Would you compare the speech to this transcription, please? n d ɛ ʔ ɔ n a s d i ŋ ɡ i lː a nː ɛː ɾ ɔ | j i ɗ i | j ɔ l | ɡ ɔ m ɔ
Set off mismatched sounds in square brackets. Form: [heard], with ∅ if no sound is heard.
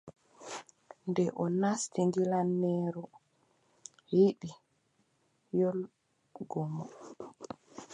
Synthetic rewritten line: n d ɛ ʔ ɔ n a s [t] i ŋ ɡ i [l] a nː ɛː ɾ ɔ | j i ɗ i | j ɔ l | ɡ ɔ m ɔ